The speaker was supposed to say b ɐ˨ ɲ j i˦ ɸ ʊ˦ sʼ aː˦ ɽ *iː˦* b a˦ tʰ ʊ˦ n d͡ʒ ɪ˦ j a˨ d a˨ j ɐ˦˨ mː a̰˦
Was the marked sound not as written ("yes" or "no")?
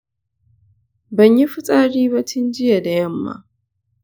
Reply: no